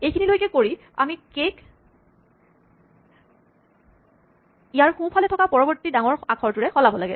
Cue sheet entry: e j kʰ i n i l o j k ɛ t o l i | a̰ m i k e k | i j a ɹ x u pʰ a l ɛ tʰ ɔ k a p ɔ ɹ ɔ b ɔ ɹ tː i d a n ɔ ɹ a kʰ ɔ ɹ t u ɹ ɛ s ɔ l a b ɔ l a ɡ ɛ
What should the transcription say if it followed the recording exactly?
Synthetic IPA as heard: e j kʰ i n i l o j k ɛ k o ɹ i | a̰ m i k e k | i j a ɹ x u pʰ a l ɛ tʰ ɔ k a p ɔ ɹ ɔ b ɔ ɹ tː i d a ŋ ɔ ɹ a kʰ ɔ ɹ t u ɹ ɛ x ɔ l a b ɔ l a ɡ ɛ